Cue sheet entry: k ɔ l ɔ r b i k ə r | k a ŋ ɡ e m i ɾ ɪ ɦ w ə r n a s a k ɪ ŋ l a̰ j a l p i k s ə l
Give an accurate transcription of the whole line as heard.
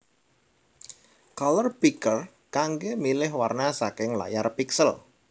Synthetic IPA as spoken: k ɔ l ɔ r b i k ə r | k a ŋ ɡ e m i l ɪ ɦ w a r n a s a k ɪ ŋ l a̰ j a r p i k s ə l